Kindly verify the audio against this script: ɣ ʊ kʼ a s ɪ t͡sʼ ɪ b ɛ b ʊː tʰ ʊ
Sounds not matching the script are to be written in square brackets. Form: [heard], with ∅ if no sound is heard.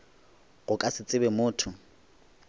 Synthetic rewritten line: ɣ ʊ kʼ a s ɪ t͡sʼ ɪ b ɛ [m] ʊː tʰ ʊ